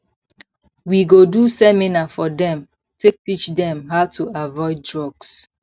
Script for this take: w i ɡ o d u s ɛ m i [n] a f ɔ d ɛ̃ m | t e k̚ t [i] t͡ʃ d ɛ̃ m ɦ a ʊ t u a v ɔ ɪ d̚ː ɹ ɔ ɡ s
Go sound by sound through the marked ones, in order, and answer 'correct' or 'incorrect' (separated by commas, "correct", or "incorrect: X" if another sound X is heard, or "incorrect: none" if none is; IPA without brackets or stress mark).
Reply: correct, correct